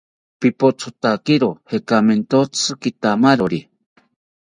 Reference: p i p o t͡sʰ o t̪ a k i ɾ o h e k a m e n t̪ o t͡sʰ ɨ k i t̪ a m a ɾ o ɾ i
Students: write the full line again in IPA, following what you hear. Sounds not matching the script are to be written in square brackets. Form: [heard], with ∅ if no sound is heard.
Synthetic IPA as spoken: p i p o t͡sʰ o t̪ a k i ɾ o h e k a m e n t̪ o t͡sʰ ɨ k i t̪ a m a ɾ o ɾ i